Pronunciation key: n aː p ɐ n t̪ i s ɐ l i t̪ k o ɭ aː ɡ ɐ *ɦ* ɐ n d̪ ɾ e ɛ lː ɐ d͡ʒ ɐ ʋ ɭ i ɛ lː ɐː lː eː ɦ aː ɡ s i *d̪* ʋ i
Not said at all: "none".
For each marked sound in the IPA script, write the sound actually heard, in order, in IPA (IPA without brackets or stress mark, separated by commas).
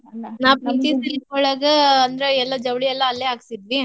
none, d̪